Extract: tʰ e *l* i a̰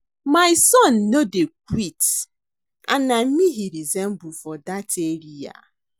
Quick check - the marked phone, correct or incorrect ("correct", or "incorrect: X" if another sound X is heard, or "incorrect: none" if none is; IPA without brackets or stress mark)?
incorrect: ɾ